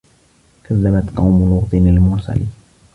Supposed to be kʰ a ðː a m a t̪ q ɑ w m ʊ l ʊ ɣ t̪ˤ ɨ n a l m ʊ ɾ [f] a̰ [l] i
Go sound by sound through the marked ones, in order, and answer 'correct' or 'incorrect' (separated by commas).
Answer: incorrect, correct